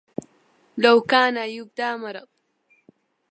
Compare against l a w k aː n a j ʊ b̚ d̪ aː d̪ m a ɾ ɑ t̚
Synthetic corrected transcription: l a w k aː n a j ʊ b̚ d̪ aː m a ɾ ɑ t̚